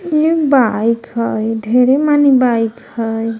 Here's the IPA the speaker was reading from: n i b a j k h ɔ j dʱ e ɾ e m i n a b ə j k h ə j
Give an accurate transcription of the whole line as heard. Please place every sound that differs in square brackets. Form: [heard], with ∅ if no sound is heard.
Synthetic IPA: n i b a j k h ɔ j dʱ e ɾ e m [a] n [i] b [a] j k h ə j